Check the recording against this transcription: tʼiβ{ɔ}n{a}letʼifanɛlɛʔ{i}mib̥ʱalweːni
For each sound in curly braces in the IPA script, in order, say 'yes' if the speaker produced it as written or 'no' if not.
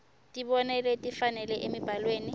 yes, no, no

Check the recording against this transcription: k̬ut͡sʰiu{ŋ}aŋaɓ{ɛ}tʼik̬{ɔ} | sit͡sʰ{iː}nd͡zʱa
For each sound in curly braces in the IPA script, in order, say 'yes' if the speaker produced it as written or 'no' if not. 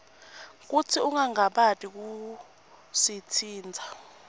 yes, no, no, yes

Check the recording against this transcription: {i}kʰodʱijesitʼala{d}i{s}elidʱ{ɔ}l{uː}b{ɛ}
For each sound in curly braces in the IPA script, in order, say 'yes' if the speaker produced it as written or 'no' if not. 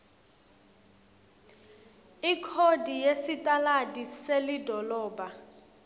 yes, yes, yes, yes, no, no

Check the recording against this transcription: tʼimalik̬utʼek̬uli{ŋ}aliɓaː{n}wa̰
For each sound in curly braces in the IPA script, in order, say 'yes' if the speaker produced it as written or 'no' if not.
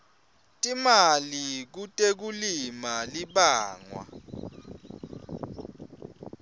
no, no

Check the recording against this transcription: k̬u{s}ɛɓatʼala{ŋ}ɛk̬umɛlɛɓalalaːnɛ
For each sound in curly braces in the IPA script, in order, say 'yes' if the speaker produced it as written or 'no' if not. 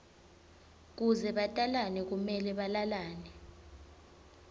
no, no

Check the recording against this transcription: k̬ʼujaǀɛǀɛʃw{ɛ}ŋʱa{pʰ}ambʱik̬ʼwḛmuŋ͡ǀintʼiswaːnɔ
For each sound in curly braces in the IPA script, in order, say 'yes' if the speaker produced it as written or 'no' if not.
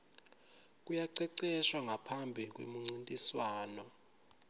no, yes

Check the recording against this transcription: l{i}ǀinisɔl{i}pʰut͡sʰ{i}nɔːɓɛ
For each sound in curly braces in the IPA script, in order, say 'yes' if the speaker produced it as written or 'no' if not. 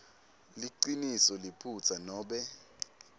yes, yes, no

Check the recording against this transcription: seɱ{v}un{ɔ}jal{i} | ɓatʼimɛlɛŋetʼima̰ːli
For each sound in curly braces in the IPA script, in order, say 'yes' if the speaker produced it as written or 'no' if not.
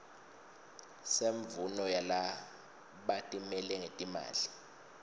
yes, yes, no

